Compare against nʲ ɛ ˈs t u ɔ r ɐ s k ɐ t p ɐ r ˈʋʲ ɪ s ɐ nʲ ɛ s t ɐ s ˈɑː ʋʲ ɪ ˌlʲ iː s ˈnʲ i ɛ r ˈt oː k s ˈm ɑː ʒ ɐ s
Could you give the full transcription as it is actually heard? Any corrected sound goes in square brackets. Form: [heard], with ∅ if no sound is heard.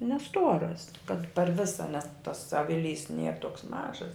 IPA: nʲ ɛ ˈs t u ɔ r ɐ s k ɐ t p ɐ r ˈʋʲ ɪ s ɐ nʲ ɛ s t ɐ s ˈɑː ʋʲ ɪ ˌlʲ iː s ˈnʲ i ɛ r ˈt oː k s ˈm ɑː ʒ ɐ s